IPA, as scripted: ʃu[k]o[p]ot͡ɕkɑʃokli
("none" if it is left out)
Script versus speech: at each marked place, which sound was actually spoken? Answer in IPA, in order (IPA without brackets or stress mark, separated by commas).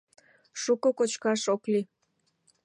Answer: k, k